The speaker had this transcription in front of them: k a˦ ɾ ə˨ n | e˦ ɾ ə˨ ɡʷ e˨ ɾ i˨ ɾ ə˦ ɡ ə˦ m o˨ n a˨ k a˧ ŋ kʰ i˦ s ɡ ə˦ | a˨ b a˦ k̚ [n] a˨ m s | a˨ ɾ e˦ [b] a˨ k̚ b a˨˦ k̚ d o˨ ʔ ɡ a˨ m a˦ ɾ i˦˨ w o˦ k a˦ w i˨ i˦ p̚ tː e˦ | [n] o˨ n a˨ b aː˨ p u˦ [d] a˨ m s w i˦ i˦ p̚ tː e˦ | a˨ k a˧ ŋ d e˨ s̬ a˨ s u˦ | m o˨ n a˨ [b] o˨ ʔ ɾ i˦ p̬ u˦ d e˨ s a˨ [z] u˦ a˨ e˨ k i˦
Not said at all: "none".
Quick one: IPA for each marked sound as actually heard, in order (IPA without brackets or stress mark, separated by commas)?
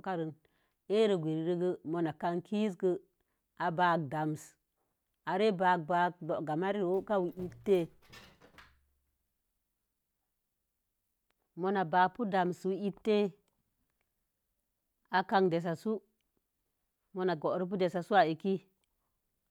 d, b, m, d, ɡ, s